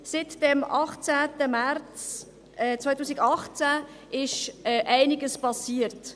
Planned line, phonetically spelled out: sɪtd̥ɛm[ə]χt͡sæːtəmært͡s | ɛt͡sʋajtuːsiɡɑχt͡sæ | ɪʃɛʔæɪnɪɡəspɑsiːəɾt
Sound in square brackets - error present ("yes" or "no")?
yes